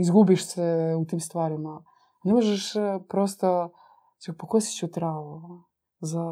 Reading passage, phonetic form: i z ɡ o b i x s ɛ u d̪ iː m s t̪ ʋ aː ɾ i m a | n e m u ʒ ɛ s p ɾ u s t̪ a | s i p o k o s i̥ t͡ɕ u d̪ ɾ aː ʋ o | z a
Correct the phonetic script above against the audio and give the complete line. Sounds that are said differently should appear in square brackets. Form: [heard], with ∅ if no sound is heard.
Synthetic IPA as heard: i z ɡ [u] b i [ʃ] s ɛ u [t̪] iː m s t̪ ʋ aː ɾ i m a | n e m [o] ʒ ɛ [ʃ] p ɾ [o] s t̪ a | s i p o k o s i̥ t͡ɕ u [t̪] ɾ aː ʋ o | z a